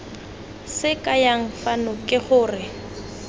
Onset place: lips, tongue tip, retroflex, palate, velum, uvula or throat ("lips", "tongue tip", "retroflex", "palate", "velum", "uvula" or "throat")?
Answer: tongue tip